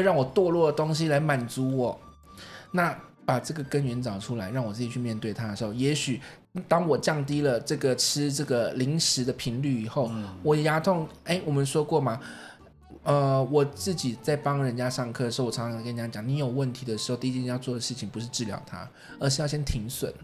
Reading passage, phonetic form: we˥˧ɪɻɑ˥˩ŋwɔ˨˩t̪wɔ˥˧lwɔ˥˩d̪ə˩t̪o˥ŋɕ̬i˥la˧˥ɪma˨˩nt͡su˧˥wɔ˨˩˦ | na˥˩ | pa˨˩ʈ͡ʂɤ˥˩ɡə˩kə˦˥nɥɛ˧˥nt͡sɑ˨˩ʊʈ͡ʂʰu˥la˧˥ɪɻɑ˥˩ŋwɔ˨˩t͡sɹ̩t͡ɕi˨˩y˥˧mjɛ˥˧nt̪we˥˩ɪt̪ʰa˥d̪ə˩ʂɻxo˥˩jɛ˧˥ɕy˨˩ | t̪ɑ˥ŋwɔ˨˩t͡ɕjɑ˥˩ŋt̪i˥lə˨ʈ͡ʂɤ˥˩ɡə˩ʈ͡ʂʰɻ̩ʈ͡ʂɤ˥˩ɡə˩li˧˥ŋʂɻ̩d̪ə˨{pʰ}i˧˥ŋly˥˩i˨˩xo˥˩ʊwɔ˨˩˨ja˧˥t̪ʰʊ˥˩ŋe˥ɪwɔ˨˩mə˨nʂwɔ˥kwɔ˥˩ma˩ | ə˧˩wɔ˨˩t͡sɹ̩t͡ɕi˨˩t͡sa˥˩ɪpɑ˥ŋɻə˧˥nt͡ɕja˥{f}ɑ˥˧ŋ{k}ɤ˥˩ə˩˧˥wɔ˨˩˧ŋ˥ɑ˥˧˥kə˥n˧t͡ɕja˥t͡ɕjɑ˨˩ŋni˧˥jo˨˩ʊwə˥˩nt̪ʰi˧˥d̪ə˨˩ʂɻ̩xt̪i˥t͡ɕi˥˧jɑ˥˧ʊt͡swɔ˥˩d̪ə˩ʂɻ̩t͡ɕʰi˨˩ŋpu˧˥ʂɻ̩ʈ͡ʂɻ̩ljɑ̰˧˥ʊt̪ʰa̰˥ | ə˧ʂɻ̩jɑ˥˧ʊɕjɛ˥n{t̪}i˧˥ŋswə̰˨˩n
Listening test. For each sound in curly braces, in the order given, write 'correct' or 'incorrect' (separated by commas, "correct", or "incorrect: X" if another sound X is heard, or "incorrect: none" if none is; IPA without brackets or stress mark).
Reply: correct, incorrect: ʂ, incorrect: kʰ, incorrect: t̪ʰ